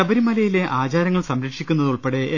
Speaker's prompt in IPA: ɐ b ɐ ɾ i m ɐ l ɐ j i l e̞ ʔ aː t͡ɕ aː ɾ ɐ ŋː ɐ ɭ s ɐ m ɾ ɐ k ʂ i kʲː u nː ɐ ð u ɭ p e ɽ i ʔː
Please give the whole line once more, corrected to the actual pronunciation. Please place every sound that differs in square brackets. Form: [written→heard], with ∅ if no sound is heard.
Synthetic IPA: ɐ b ɐ ɾ i m ɐ l ɐ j i l e̞ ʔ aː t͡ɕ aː ɾ ɐ ŋː ɐ ɭ s ɐ m ɾ ɐ k ʂ i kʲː u nː ɐ ð u ɭ p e ɽ [i→e] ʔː

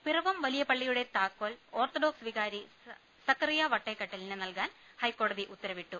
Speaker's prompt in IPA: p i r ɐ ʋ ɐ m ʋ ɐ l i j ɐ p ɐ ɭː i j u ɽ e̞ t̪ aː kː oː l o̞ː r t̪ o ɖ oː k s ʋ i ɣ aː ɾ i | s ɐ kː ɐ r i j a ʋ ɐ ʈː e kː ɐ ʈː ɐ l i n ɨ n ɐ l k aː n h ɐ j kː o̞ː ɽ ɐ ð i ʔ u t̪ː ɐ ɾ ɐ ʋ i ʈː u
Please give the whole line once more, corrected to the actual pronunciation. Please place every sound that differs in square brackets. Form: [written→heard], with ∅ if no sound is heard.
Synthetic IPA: p i r ɐ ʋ ɐ m ʋ ɐ l i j ɐ p ɐ ɭː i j u ɽ e̞ t̪ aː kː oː l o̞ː r t̪ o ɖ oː k s ʋ i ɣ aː ɾ i | s ɐ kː ɐ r i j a ʋ ɐ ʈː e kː ɐ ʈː ɐ l i n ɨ n ɐ l k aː n h ɐ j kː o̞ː ɽ ɐ ð i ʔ u t̪ː ɐ ɾ ɐ ʋ i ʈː u

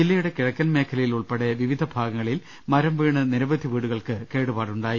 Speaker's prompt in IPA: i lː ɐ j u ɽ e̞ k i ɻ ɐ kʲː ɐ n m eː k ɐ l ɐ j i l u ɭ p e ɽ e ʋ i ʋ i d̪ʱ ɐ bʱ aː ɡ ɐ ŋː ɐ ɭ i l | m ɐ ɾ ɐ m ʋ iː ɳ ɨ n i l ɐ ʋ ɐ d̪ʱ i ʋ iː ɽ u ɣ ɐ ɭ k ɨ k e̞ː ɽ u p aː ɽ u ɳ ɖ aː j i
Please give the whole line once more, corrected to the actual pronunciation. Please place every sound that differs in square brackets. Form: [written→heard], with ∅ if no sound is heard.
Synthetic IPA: i lː ɐ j u ɽ e̞ k i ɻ ɐ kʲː ɐ n m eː [k→kʰ] ɐ l ɐ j i l u ɭ p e ɽ e ʋ i ʋ i d̪ʱ ɐ bʱ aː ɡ ɐ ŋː ɐ ɭ i l | m ɐ ɾ ɐ m ʋ iː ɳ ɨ n i [l→ɾ] ɐ ʋ ɐ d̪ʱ i ʋ iː ɽ u ɣ ɐ ɭ k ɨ k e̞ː ɽ u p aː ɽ u ɳ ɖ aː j i

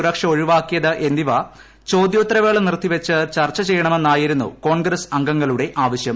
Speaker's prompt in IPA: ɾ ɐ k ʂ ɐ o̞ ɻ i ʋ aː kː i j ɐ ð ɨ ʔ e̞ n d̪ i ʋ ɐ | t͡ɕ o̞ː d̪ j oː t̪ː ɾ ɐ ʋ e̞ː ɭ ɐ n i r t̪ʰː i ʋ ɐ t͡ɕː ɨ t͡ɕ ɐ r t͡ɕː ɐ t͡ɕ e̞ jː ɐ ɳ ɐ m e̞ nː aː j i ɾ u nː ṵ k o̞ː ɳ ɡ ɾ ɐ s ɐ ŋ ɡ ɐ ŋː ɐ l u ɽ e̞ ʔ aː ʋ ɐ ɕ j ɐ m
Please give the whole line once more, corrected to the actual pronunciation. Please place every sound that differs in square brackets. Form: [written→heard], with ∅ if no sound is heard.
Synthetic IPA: ɾ ɐ k ʂ ɐ o̞ ɻ i ʋ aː kː i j ɐ ð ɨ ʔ e̞ n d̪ i ʋ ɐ | t͡ɕ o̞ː d̪ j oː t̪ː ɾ ɐ ʋ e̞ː ɭ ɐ n i r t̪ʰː i ʋ ɐ t͡ɕː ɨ t͡ɕ ɐ r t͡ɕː ɐ t͡ɕ e̞ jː ɐ ɳ ɐ m e̞ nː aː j i ɾ u nː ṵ k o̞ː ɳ ɡ ɾ ɐ s ɐ ŋ ɡ ɐ ŋː ɐ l u ɽ e̞ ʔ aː ʋ ɐ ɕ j ɐ m

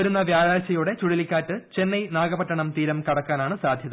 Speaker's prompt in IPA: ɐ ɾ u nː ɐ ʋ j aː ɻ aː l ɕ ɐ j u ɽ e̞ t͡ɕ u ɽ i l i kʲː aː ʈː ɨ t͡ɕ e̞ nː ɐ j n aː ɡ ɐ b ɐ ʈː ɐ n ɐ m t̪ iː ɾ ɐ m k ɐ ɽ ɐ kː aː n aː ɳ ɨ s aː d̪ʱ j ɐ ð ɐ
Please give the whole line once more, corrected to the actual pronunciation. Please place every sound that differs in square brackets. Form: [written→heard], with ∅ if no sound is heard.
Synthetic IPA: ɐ ɾ u nː ɐ ʋ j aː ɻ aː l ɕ ɐ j u ɽ e̞ t͡ɕ u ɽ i l i kʲː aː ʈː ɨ t͡ɕ e̞ nː ɐ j n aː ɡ ɐ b ɐ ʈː ɐ [n→ɳ] ɐ m t̪ iː ɾ ɐ m k ɐ ɽ ɐ kː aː n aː ɳ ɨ s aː d̪ʱ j ɐ ð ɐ

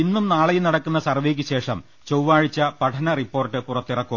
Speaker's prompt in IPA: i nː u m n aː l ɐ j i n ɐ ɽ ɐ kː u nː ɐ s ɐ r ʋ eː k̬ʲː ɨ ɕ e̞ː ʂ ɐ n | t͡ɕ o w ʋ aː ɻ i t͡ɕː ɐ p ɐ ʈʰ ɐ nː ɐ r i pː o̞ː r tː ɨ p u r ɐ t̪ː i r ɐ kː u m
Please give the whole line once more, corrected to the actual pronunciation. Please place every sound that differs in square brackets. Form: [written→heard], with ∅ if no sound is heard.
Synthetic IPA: i nː u m n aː [l→ɭ] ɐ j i n ɐ ɽ ɐ kː u nː ɐ s ɐ r ʋ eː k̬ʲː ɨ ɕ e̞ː ʂ ɐ [n→m] | t͡ɕ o w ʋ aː ɻ i t͡ɕː ɐ p ɐ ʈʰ ɐ [nː→n] ɐ r i pː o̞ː r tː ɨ p u r ɐ t̪ː i r ɐ kː u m

